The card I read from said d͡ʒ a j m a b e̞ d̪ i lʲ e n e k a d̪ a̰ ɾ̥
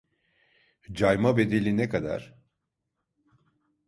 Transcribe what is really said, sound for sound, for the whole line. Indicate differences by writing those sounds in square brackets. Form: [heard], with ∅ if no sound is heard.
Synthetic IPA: d͡ʒ a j m a b e̞ d̪ [e] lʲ [i] n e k a d̪ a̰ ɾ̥